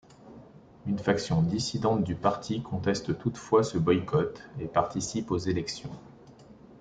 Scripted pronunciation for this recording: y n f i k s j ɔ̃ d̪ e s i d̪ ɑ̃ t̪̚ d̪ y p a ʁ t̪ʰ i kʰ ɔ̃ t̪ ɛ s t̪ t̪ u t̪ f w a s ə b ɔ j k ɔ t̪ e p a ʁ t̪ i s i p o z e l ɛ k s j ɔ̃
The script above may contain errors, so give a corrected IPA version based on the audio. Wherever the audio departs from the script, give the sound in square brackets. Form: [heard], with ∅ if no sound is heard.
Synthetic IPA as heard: y n f [a] k s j ɔ̃ d̪ [i] s i d̪ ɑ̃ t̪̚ d̪ y p a ʁ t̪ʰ i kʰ ɔ̃ t̪ ɛ s t̪ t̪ u t̪ f w a s ə b ɔ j k ɔ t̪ e p a ʁ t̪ i s i p o z e l ɛ k s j ɔ̃